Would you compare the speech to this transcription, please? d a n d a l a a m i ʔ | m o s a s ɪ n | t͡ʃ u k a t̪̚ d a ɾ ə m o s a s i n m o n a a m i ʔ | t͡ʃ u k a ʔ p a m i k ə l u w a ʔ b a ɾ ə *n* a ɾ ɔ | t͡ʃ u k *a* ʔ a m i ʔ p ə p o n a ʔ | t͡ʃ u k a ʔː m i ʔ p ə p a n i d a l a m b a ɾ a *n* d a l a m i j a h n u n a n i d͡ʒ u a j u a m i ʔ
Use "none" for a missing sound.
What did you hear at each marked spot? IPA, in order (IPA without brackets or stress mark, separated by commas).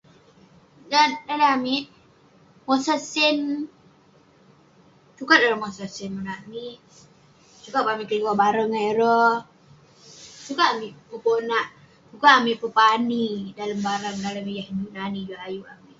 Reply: ŋ, a, ŋ